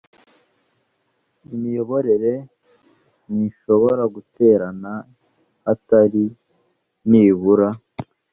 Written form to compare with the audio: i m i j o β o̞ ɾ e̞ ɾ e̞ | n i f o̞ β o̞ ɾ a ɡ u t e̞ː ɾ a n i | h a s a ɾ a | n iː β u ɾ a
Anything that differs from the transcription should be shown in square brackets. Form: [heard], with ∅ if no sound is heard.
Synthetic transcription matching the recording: i m i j o β o̞ ɾ e̞ ɾ e̞ | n i [ʃ] o̞ β o̞ ɾ a ɡ u t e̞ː ɾ a n [a] | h a [t] a ɾ [i] | n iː β u ɾ a